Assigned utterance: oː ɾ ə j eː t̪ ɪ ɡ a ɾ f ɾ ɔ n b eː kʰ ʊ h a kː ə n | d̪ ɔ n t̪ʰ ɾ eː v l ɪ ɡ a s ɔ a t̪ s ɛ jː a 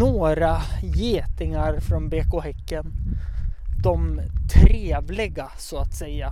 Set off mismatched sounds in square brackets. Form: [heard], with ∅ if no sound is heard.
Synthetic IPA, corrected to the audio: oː ɾ [a] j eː t̪ ɪ [ŋ] a ɾ f ɾ ɔ n b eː [k] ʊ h [ɛ] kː ə n | d̪ ɔ [m] t̪ʰ ɾ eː v l ɪ ɡ a s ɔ a t̪ s ɛ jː a